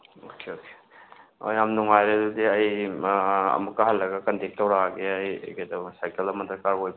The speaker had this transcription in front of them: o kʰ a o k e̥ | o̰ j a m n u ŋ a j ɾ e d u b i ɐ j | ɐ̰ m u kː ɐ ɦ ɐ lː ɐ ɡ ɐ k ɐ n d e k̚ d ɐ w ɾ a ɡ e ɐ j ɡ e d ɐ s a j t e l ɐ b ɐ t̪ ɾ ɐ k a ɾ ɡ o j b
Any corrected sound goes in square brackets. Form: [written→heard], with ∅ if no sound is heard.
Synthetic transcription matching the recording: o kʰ [a→e] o k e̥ | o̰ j a m n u ŋ a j ɾ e d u [b→d] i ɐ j | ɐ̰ m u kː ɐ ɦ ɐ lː ɐ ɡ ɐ k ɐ n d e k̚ [d→t] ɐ w ɾ a ɡ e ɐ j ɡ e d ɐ s a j [t→k] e l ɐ [b→m] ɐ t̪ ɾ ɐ k a ɾ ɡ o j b